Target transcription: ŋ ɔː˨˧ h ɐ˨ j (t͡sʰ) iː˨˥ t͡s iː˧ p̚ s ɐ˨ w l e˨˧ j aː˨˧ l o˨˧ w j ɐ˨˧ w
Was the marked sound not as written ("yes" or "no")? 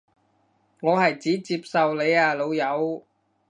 yes